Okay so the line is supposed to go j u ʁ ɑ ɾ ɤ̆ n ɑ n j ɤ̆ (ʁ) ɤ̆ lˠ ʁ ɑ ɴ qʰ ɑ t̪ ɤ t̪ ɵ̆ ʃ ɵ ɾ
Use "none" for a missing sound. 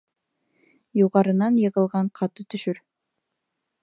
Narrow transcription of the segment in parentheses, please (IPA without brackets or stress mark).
ʁ